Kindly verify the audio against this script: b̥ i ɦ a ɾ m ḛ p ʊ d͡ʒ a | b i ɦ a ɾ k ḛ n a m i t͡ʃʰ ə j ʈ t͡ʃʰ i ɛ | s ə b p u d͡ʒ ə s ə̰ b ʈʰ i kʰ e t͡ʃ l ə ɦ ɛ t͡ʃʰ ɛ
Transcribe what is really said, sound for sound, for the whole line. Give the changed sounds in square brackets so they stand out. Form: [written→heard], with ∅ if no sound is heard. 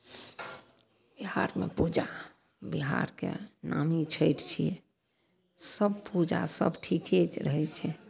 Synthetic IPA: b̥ i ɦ a ɾ m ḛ p [ʊ→u] d͡ʒ a | b i ɦ a ɾ k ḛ n a m i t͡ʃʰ ə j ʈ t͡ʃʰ i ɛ | s ə b p u d͡ʒ [ə→a] s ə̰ b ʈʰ i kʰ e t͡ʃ [l→ɾ] ə ɦ ɛ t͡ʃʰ ɛ